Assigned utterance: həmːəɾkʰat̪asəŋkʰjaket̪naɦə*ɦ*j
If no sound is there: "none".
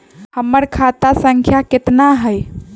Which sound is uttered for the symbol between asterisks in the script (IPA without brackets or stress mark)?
none